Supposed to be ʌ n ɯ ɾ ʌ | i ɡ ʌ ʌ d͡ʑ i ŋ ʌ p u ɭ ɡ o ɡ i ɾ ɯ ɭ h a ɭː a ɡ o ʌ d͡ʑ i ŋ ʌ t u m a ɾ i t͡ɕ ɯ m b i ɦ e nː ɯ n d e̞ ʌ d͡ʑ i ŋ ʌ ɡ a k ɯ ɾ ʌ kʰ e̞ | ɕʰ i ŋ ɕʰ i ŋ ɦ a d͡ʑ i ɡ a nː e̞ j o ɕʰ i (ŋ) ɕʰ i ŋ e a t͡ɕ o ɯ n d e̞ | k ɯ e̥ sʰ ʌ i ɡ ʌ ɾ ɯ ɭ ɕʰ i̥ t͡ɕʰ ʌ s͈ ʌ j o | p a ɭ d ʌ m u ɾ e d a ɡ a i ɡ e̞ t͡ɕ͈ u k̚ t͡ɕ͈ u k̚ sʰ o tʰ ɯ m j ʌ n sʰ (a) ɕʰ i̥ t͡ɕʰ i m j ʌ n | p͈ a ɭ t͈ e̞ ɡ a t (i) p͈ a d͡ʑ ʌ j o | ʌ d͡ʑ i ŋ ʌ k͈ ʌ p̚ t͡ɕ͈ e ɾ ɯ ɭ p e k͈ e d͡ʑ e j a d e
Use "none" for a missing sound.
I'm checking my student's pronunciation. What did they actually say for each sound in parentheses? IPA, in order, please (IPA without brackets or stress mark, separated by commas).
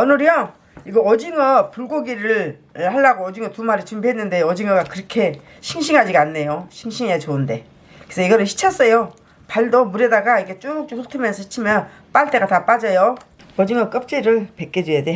ŋ, ʌ, a